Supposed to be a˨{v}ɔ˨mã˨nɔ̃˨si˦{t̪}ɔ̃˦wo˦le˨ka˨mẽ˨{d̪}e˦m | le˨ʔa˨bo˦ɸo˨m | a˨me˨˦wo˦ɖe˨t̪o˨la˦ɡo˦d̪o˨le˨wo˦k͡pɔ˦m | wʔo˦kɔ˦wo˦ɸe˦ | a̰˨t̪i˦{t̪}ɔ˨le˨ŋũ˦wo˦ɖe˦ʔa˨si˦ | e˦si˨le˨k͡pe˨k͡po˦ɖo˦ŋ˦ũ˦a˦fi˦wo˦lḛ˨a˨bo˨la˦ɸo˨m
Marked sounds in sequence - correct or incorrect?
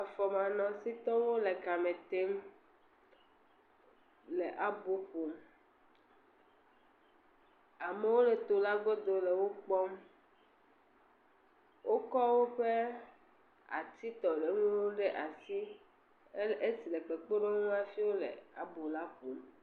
incorrect, correct, incorrect, correct

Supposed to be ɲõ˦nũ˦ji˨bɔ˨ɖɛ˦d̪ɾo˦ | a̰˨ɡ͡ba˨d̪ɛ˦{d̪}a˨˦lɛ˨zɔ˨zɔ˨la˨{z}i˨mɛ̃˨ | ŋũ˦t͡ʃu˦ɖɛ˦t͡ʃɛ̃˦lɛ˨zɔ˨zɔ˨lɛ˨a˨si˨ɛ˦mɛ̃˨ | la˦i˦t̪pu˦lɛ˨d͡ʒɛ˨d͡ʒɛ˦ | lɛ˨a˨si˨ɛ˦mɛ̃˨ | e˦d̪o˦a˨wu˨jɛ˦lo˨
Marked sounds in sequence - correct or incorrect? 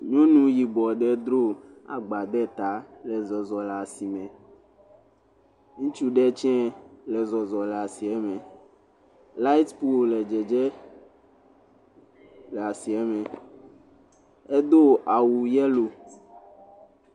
incorrect, incorrect

